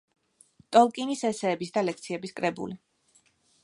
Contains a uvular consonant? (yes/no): no